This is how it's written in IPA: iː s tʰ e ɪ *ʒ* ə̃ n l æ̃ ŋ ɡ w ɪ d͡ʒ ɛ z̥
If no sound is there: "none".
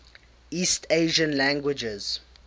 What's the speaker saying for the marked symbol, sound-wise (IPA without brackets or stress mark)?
ʒ